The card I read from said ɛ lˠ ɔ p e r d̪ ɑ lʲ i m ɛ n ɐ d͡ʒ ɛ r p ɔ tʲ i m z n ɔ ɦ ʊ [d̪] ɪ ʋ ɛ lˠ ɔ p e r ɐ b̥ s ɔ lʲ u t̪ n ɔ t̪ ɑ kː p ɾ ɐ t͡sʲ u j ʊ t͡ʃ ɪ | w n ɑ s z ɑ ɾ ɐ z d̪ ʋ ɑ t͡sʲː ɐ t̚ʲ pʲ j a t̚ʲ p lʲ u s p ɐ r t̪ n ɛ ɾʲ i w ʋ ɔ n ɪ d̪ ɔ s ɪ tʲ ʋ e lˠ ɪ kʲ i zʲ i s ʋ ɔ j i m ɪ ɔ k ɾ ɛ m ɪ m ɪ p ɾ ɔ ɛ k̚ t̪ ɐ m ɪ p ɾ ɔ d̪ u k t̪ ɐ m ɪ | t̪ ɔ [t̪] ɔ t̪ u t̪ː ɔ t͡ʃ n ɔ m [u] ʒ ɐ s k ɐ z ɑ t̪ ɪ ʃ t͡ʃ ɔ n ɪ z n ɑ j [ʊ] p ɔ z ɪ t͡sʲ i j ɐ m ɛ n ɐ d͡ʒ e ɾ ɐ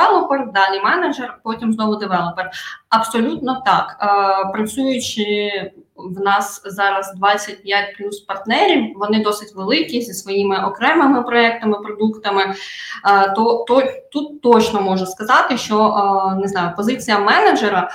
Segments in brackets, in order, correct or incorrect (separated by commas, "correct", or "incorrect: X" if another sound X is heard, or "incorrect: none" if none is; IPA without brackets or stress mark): correct, correct, incorrect: ɔ, correct